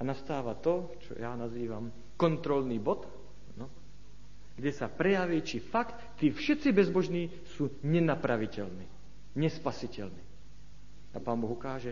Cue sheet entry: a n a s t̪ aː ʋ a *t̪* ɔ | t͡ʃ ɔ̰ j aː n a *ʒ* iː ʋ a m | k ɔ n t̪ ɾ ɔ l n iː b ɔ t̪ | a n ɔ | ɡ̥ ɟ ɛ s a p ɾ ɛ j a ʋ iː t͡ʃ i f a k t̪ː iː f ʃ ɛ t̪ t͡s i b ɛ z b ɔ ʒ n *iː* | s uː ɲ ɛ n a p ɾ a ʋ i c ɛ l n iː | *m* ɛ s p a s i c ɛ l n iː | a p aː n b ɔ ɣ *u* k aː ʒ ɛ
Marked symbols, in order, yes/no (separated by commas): yes, no, yes, no, yes